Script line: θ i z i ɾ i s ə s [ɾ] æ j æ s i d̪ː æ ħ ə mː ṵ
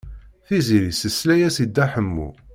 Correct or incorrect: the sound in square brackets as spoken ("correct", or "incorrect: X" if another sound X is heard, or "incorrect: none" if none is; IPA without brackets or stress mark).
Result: incorrect: l